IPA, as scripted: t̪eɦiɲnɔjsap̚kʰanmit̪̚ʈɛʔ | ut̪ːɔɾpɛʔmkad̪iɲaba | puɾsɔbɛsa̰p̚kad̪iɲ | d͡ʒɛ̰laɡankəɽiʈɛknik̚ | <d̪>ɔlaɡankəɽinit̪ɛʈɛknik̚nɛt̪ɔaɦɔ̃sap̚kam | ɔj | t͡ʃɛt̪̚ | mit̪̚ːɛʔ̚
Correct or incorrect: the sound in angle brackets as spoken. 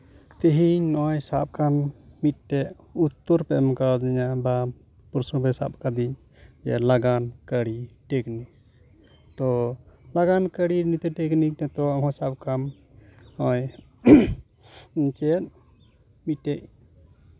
incorrect: t̪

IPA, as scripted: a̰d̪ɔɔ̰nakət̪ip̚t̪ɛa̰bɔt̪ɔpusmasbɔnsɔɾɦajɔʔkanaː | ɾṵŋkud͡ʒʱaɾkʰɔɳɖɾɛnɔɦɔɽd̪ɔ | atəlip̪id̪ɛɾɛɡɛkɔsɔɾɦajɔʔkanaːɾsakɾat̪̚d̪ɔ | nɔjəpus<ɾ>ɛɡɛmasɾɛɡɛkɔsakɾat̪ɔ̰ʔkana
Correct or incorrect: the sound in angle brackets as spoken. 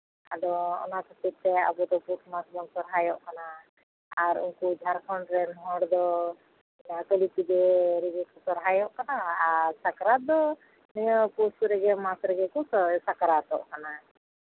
correct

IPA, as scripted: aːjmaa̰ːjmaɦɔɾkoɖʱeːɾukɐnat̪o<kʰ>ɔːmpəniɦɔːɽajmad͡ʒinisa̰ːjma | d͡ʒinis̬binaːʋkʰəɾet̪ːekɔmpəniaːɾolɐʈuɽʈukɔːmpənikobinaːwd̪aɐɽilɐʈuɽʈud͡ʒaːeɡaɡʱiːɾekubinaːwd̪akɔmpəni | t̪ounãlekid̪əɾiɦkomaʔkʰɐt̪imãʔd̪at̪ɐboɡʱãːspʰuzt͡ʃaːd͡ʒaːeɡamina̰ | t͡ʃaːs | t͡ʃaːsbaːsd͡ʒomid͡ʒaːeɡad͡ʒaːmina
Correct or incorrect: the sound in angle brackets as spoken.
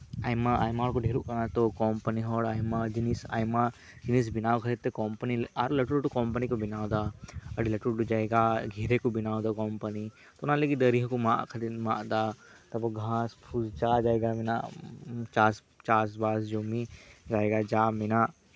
incorrect: k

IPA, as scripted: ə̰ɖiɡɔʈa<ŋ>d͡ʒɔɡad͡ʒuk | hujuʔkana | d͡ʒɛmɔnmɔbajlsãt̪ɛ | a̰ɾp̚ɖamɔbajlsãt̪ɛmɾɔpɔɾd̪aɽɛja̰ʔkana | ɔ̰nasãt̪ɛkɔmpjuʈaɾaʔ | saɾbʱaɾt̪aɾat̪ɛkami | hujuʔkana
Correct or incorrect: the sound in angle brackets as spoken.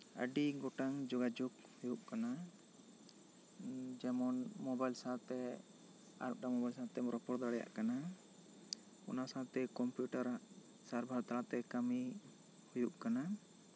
correct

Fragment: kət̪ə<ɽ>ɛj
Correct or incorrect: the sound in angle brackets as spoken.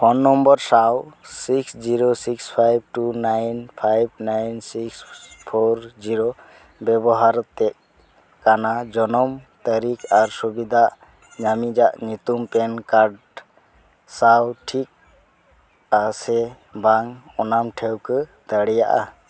correct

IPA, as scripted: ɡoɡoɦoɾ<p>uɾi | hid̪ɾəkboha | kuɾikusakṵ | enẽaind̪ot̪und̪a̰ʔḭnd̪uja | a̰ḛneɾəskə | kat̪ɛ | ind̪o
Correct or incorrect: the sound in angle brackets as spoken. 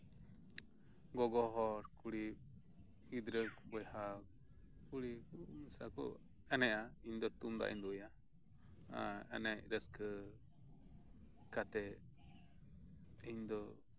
incorrect: k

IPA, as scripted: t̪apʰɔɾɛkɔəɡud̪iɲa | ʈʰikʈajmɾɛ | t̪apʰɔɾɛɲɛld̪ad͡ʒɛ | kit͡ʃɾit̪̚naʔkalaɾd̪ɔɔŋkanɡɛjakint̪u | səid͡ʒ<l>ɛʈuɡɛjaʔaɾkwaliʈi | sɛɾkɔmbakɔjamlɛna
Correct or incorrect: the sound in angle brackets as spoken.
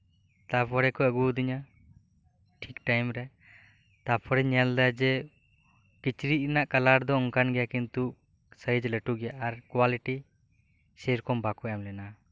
correct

